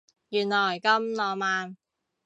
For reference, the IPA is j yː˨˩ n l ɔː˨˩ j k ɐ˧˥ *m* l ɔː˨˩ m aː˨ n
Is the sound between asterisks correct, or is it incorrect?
correct